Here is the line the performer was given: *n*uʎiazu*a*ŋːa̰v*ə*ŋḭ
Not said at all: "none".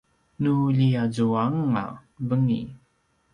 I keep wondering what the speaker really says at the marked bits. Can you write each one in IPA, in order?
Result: n, a, ə

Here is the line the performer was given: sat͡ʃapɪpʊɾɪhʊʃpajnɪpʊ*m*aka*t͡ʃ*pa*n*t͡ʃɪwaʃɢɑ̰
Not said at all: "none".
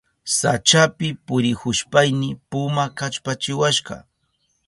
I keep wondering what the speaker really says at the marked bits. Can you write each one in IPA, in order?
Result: m, t͡ʃ, none

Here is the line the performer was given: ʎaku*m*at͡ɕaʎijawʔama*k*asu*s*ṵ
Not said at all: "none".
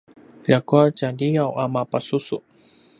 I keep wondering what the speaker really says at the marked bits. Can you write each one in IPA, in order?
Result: none, p, s

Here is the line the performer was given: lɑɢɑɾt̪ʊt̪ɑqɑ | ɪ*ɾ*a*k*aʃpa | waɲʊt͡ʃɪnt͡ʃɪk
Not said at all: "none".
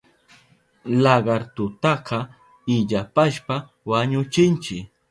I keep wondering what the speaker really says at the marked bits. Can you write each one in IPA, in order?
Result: ʎ, p

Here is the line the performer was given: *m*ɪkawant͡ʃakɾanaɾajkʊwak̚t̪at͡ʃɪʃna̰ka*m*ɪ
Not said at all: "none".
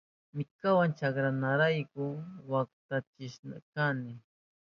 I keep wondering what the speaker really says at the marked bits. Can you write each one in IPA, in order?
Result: m, n

